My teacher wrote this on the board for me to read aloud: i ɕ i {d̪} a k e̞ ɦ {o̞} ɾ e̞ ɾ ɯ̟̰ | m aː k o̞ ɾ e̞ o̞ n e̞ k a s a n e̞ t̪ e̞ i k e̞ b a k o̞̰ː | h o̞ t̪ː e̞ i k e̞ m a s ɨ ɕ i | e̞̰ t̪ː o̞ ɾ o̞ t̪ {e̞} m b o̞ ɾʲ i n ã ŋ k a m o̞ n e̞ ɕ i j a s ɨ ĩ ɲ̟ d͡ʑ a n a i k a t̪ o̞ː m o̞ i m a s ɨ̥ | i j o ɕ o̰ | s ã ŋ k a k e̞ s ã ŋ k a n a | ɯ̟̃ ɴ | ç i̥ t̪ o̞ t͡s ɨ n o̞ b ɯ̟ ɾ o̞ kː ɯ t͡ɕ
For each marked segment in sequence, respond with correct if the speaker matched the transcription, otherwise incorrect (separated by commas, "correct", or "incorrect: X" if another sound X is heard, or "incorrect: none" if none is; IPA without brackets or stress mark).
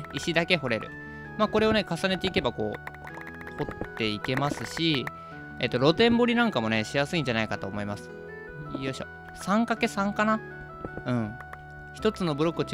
correct, correct, incorrect: ẽ̞